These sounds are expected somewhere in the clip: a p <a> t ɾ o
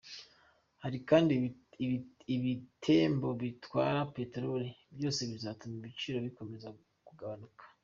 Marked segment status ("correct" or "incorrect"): incorrect